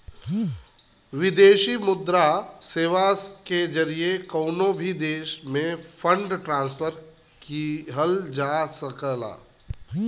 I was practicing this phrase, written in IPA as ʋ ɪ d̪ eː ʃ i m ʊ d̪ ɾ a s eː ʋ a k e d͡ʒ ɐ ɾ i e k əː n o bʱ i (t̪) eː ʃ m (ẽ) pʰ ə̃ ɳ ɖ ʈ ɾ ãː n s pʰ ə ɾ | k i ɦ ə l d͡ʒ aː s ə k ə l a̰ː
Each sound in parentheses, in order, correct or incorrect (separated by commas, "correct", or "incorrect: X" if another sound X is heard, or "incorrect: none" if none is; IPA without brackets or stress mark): incorrect: d̪, correct